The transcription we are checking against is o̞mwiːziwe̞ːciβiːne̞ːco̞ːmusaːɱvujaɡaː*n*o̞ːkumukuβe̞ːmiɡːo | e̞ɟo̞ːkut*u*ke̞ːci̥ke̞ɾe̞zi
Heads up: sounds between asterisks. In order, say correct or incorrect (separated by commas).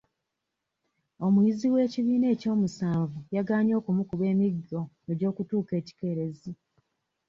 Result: incorrect, incorrect